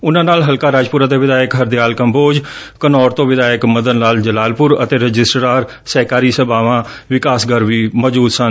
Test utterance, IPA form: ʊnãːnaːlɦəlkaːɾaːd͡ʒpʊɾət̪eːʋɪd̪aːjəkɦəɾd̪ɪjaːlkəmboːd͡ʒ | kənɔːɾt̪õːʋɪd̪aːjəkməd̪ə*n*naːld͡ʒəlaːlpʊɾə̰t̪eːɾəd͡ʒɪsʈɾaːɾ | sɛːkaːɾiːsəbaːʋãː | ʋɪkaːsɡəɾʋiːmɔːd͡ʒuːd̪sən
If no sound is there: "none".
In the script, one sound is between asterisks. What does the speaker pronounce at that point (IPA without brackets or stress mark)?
n